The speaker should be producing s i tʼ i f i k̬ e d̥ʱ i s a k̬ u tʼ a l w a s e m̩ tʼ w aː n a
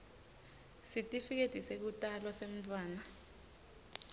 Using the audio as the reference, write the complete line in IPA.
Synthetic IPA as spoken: s i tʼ i f i k̬ e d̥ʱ i s e k̬ u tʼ a l w a s e m̩ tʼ w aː n a